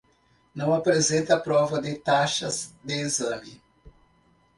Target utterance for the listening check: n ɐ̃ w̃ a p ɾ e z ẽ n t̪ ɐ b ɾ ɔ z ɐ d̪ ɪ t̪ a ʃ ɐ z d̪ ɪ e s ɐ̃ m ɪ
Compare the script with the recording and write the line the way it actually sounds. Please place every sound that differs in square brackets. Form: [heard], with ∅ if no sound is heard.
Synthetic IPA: n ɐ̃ w̃ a p ɾ e z ẽ n t̪ ɐ [p] ɾ ɔ [v] ɐ d̪ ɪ t̪ a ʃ ɐ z d̪ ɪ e [z] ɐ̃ m ɪ